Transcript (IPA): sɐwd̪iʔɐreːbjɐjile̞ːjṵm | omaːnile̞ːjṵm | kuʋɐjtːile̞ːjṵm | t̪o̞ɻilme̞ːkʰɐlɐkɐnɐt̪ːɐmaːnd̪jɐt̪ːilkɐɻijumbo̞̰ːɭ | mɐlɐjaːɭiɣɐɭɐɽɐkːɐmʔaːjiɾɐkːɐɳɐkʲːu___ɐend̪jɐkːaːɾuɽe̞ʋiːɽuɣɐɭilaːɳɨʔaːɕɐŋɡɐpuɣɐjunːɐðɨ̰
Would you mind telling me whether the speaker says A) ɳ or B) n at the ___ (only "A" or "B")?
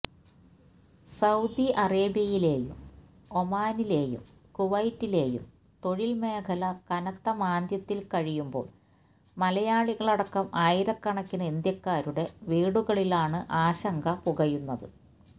B